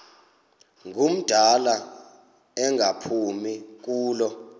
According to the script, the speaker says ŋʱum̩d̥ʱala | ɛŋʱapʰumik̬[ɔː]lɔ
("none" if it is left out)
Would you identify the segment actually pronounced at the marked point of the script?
uː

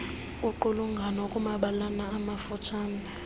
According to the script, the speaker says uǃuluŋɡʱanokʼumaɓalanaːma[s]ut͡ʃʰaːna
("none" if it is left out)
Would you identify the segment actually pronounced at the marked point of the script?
f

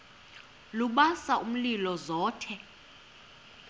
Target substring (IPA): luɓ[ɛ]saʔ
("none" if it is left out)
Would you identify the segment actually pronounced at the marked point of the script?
a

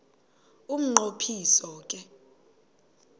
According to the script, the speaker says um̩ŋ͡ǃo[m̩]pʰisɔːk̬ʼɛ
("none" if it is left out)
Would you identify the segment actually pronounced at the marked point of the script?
none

